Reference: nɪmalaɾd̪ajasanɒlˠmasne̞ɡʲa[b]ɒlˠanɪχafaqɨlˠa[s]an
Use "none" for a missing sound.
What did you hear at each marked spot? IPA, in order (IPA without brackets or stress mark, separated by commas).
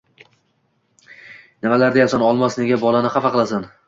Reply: b, s